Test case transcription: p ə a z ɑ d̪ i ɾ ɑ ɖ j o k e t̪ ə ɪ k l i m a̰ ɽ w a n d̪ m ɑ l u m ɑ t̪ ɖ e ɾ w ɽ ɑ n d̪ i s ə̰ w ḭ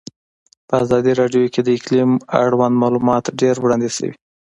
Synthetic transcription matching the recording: p ə a z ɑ d̪ i ɾ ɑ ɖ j o k e d̪ ə ɪ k l i m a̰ ɽ w a n d̪ m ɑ l u m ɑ t̪ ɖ e ɾ w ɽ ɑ n d̪ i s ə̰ w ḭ